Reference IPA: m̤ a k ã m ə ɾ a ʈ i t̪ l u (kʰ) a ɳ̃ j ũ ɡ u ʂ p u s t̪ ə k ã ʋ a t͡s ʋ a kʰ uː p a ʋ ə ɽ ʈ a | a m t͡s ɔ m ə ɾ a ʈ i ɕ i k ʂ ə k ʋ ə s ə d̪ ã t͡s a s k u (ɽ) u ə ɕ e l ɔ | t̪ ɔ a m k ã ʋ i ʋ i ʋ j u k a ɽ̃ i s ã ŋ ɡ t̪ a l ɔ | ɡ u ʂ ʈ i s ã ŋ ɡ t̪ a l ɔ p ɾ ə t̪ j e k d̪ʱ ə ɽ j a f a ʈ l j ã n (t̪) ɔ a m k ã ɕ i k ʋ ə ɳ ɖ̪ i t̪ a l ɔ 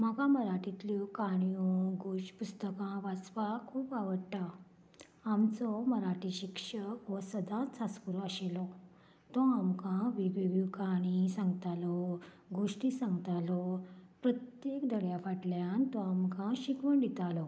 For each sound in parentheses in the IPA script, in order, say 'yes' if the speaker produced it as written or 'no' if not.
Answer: no, no, yes

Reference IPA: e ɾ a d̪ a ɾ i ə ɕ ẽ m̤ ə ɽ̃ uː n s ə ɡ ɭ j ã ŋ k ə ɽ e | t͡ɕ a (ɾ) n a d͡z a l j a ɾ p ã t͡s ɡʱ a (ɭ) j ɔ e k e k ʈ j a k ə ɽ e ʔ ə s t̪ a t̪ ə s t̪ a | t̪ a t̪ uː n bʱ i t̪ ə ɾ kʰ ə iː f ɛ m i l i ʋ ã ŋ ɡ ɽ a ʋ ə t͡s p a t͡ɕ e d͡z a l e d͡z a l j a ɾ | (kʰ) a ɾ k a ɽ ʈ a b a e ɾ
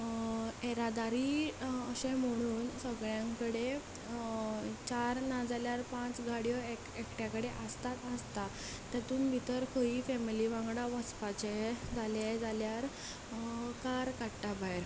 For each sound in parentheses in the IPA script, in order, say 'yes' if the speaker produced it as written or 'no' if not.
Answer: yes, no, no

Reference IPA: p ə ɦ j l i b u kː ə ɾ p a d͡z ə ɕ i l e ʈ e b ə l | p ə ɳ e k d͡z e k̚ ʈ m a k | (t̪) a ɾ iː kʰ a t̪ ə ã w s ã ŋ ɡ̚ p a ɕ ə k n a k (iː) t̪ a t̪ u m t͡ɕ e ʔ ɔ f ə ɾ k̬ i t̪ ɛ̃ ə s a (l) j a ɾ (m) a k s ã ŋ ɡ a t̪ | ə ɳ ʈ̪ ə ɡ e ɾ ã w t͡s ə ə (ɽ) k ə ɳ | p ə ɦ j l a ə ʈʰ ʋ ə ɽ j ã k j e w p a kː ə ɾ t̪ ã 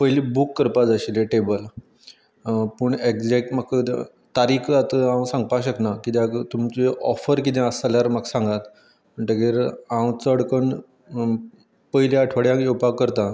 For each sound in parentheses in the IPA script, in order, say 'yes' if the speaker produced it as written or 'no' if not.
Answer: yes, no, yes, yes, yes

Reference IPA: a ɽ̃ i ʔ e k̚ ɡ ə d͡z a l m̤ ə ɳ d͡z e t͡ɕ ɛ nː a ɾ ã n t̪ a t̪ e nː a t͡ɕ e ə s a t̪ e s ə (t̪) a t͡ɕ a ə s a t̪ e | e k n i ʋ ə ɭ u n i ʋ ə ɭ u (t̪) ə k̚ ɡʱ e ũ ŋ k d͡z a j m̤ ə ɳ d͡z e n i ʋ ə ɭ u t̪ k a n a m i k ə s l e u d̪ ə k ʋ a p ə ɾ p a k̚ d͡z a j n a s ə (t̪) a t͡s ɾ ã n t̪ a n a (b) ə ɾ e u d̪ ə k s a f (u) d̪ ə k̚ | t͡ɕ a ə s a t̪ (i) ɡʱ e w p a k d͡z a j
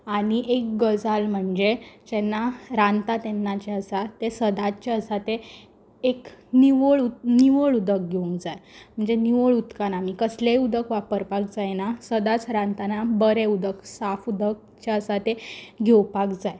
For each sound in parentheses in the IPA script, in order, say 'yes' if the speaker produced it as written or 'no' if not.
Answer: no, no, no, yes, yes, no

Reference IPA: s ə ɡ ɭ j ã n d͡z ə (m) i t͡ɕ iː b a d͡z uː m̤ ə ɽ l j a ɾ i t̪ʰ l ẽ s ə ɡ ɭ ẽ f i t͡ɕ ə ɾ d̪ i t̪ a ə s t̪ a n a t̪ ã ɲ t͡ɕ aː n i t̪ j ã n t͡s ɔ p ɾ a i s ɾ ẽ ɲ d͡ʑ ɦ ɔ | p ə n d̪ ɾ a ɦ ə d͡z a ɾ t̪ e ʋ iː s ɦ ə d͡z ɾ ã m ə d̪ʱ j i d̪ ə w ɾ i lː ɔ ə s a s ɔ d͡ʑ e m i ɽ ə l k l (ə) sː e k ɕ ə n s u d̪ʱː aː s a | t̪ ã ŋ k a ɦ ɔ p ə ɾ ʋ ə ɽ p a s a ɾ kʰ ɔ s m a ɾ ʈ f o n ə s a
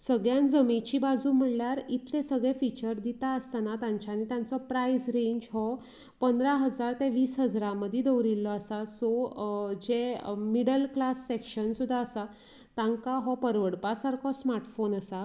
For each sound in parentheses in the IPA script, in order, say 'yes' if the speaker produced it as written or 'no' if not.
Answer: yes, no

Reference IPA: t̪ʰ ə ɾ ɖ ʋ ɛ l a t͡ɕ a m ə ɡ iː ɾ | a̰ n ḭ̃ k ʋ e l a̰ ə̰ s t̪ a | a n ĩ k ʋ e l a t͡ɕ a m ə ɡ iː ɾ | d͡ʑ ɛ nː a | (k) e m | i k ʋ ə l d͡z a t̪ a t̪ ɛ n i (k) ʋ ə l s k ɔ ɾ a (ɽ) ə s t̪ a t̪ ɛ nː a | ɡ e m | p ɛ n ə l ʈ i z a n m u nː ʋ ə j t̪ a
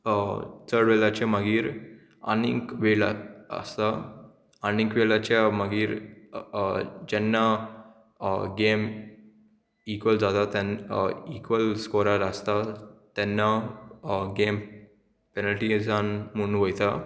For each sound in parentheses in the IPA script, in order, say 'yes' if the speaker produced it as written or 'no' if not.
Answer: no, yes, no

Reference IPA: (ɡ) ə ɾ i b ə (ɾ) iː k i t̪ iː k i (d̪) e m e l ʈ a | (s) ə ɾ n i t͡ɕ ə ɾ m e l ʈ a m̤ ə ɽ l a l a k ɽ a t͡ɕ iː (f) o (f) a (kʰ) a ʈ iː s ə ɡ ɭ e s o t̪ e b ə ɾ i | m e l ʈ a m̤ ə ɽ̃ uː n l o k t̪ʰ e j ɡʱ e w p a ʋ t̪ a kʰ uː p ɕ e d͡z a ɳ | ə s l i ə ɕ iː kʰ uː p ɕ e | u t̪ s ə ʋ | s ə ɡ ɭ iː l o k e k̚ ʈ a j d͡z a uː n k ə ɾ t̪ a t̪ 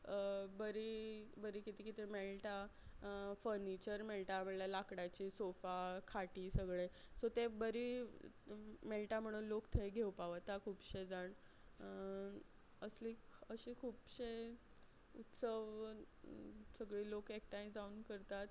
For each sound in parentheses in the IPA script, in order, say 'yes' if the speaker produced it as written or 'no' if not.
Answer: no, yes, no, no, no, yes, yes

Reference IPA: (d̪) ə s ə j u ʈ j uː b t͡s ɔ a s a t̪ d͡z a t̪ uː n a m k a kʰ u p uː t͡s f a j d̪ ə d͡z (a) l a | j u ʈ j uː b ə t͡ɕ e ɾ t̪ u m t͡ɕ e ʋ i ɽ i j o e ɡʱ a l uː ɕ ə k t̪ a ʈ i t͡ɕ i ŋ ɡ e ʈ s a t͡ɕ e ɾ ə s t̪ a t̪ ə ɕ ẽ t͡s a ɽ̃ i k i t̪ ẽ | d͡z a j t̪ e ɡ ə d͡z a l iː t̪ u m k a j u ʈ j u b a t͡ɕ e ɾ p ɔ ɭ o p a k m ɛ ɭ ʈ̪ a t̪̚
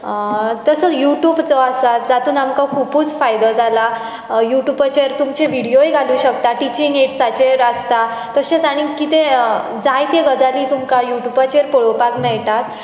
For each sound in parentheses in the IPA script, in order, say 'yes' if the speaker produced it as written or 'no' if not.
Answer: no, yes

